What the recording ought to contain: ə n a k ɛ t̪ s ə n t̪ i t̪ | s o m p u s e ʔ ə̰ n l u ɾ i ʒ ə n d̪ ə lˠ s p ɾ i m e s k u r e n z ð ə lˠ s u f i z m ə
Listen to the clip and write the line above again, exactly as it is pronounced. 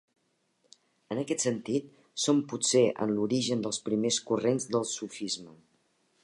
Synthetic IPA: ə n ə k ɛ t̪ s ə n t̪ i t̪ | s o m p u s e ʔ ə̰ n l u ɾ i ʒ ə n d̪ ə lˠ s p ɾ i m e s k u r e n z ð ə lˠ s u f i z m ə